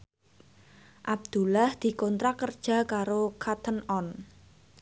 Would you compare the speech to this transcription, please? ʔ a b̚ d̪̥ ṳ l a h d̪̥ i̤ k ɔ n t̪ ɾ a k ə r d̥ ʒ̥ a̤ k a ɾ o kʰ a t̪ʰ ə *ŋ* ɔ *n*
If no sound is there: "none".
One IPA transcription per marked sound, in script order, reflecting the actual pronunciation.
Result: n, n

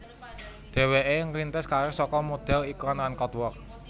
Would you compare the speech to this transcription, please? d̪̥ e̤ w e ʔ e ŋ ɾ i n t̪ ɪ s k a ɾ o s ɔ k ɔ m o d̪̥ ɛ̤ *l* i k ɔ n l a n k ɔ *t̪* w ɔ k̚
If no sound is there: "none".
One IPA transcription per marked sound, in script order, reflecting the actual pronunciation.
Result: l, t̪

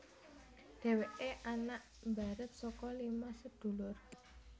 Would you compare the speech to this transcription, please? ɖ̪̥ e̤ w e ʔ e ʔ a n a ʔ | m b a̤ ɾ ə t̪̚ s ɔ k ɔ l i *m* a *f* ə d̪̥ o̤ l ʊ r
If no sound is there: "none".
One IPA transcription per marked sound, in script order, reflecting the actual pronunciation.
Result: m, s

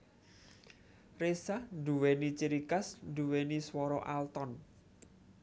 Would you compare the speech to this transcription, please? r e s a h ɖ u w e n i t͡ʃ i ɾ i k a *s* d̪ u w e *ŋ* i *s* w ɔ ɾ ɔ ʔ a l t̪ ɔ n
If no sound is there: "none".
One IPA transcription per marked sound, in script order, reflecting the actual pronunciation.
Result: s, n, s

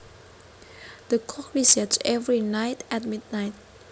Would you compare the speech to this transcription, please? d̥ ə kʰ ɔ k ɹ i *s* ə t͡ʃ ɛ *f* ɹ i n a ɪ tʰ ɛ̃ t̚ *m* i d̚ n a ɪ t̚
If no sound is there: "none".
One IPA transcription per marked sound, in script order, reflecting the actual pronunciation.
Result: s, v, m

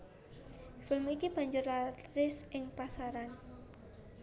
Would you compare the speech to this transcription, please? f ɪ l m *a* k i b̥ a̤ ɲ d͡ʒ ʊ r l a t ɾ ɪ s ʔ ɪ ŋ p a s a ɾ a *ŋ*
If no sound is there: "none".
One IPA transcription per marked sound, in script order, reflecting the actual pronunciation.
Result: i, n

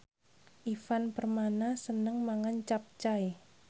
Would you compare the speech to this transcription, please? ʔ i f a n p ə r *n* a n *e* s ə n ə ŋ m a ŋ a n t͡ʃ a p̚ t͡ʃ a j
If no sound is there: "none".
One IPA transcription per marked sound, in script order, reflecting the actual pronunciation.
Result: m, a

